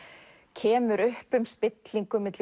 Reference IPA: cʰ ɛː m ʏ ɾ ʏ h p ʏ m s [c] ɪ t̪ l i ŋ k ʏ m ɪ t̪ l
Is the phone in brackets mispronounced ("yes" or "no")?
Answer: yes